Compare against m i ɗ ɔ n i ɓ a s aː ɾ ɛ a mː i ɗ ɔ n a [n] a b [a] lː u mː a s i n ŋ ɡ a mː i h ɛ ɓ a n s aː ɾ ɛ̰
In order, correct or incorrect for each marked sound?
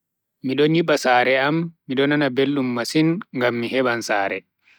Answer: correct, incorrect: e

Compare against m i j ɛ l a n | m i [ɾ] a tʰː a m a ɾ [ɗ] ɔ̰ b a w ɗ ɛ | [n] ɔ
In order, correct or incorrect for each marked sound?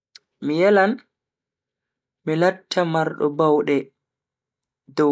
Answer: incorrect: l, correct, incorrect: d

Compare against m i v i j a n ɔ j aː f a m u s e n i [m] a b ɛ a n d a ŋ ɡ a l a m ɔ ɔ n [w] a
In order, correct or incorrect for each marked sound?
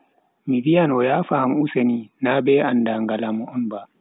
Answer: incorrect: n, incorrect: b

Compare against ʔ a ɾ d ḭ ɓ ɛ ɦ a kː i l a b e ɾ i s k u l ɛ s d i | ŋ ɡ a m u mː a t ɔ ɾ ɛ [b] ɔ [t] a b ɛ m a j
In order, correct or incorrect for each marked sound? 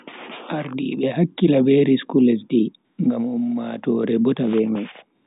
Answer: correct, correct

